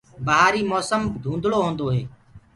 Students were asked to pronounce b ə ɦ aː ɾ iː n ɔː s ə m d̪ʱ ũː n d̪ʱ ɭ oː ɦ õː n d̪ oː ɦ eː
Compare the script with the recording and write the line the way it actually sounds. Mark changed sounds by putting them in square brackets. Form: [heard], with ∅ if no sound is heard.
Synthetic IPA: b ə ɦ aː ɾ iː [m] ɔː s ə m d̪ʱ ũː n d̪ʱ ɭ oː ɦ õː n d̪ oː ɦ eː